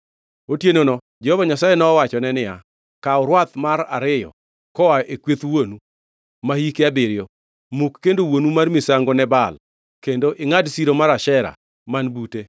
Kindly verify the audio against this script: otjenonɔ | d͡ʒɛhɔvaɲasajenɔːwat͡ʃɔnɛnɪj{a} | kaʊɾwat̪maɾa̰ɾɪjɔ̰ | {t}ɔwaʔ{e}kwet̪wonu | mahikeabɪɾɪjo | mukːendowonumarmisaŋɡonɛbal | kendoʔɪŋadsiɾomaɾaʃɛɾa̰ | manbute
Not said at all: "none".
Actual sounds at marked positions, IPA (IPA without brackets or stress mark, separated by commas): a, k, e